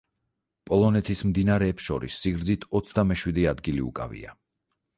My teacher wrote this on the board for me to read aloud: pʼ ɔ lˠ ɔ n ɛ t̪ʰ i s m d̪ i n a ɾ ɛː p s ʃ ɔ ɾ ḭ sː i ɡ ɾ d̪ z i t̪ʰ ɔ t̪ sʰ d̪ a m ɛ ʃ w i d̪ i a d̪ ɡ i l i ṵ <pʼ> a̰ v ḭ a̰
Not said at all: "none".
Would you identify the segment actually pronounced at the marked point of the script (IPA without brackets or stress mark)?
kʼ